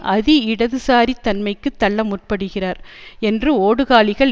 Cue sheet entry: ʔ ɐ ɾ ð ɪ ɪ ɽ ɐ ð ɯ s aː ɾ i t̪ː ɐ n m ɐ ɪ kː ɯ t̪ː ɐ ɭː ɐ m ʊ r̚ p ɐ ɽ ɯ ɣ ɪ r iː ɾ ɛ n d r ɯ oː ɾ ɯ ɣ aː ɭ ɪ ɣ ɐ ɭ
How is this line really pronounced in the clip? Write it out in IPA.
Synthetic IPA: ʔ ɐ ð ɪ ɪ ɽ ɐ ð ɯ s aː ɾ i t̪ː ɐ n m ɐ ɪ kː ɯ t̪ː ɐ ɭː ɐ m ʊ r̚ p ɐ ɽ ɯ ɣ ɪ r aː ɾ ɛ n d r ɯ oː ɽ ɯ ɣ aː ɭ ɪ ɣ ɐ ɭ